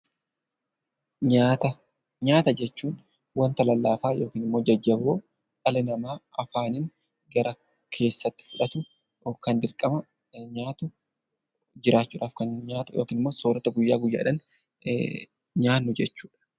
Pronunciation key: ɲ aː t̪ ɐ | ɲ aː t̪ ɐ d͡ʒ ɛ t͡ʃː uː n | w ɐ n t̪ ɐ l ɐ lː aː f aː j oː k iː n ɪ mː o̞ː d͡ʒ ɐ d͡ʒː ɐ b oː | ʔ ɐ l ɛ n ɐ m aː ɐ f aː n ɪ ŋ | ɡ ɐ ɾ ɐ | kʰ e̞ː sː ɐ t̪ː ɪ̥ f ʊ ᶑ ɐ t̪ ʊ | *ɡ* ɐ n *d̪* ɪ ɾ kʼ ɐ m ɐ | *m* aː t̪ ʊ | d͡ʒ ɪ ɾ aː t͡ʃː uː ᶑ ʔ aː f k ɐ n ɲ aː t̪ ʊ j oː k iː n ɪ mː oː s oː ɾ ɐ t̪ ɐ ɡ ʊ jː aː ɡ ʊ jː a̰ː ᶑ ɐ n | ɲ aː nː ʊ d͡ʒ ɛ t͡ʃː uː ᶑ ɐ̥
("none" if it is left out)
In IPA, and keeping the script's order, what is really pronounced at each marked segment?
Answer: k, d̪, ɲ

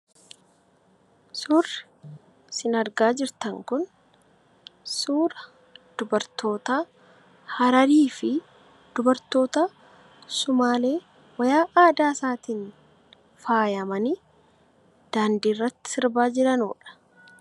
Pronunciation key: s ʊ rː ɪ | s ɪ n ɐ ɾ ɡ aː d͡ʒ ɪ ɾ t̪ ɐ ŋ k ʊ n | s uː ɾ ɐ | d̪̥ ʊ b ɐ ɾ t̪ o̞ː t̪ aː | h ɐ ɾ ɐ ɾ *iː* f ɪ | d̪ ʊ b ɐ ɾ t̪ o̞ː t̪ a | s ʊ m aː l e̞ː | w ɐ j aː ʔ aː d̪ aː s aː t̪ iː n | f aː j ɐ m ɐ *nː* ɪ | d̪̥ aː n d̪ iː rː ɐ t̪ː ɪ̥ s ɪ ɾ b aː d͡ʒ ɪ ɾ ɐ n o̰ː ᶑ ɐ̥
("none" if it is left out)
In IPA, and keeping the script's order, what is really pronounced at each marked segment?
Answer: iː, n

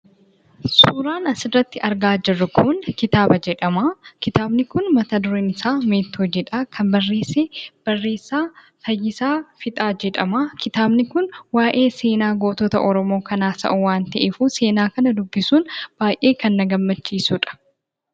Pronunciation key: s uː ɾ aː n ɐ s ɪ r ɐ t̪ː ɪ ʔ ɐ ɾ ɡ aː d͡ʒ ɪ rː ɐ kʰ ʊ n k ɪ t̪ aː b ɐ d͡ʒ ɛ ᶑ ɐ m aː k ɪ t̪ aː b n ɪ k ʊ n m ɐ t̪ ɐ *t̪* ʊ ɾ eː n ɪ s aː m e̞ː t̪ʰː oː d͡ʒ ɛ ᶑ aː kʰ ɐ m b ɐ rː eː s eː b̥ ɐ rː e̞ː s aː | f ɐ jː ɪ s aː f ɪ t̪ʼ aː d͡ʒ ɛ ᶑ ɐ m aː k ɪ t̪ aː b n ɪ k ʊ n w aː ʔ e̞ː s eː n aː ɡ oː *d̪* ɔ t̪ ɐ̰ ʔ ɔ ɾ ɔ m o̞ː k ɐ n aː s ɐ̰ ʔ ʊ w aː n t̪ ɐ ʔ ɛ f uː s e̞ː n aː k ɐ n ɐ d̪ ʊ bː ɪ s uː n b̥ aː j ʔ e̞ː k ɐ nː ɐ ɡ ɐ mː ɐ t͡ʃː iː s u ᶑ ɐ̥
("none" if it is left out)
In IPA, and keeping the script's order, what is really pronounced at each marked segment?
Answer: d̪, t̪

